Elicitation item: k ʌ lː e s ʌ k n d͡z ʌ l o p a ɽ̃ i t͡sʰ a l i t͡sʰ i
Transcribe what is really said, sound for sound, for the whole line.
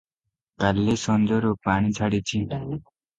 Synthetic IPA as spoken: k a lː e s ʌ n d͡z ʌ ɾ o p a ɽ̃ i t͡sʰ a ɽ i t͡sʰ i